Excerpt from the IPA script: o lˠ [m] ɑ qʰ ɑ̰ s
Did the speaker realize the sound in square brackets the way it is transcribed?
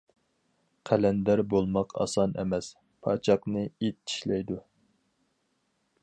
yes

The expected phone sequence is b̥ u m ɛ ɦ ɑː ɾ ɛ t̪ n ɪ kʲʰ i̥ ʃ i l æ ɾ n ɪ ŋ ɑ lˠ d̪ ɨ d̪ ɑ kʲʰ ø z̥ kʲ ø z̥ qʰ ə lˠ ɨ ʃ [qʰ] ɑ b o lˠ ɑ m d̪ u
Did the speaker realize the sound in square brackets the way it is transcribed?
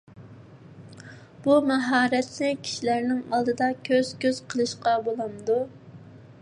no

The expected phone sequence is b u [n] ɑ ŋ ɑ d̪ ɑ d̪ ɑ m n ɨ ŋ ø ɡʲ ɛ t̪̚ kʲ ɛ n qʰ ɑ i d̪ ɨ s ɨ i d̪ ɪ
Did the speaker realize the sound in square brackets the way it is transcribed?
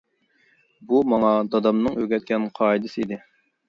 no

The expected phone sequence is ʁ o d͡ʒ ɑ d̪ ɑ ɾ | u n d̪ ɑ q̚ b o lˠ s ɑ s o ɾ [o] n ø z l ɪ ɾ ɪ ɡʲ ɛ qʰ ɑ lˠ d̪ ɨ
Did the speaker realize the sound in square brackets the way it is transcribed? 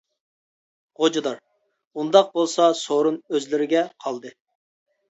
no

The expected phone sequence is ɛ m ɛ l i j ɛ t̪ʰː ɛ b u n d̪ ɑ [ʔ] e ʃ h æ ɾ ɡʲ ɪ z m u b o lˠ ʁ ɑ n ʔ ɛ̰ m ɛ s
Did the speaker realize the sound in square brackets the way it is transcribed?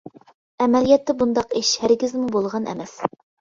no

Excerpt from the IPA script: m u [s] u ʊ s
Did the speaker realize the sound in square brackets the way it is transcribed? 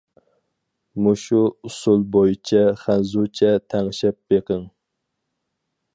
no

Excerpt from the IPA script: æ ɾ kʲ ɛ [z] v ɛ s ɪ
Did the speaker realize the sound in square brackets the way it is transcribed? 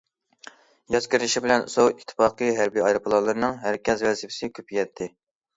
yes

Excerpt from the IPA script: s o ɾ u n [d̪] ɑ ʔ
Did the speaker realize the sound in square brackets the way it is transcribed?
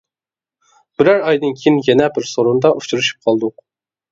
yes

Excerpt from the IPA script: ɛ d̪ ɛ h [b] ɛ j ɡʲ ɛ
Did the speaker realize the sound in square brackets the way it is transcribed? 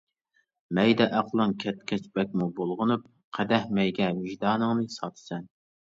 no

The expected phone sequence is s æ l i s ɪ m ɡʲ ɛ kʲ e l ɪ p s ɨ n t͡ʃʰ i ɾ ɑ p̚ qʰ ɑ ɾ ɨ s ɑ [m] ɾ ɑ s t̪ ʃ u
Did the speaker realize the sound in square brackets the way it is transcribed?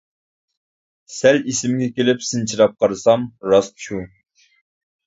yes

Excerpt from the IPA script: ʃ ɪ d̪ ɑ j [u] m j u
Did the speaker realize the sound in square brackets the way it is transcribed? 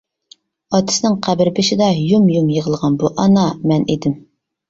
yes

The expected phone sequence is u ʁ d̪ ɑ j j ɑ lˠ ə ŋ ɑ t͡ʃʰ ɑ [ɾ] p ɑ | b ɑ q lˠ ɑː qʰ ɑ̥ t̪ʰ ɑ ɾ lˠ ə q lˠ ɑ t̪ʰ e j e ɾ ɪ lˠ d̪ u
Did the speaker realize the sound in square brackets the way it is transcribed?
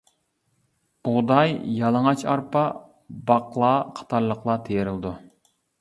yes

